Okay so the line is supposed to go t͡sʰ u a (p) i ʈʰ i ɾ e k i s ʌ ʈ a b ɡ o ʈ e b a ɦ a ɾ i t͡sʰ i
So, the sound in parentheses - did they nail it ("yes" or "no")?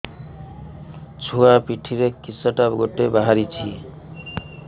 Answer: yes